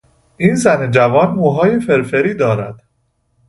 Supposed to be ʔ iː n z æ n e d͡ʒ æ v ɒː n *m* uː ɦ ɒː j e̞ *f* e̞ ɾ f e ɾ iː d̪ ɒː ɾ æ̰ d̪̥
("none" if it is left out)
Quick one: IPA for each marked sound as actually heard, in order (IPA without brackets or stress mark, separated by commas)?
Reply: m, f